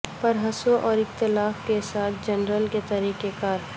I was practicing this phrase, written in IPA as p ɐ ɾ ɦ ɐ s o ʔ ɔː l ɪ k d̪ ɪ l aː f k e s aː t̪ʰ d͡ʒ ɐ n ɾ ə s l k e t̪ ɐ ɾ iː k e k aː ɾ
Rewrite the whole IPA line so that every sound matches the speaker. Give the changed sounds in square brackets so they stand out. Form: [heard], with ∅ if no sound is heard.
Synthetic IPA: p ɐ ɾ ɦ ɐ s o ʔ ɔː [ɾ] ɪ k [t̪] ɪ l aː f k e s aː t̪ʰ d͡ʒ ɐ n ɾ ə [∅] l k e t̪ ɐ ɾ iː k e k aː ɾ